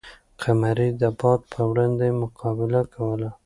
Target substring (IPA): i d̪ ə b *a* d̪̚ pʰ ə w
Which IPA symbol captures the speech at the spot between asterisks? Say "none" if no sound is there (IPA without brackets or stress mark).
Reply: ɑ